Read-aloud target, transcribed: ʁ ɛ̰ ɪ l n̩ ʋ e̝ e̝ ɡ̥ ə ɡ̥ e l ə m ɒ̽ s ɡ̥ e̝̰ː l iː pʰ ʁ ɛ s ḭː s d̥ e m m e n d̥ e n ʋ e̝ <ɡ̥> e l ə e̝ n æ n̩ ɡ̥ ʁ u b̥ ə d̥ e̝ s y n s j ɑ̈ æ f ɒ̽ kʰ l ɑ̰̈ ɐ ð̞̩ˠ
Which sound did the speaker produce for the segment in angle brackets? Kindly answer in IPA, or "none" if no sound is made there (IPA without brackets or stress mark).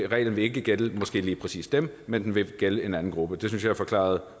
ɡ̥